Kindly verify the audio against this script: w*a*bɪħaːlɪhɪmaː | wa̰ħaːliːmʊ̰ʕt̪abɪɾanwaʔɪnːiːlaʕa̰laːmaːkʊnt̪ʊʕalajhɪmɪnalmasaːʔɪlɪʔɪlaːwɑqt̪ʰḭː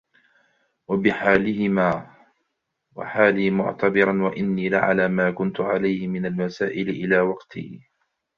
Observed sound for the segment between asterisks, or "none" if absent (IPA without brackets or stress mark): a